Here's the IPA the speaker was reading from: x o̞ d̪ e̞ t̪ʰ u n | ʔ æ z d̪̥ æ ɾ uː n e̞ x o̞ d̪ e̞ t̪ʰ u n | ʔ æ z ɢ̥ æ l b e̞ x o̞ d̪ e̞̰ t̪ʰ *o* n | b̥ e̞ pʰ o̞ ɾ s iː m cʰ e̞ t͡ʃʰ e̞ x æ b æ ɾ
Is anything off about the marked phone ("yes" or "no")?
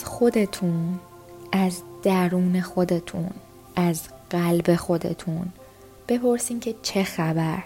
yes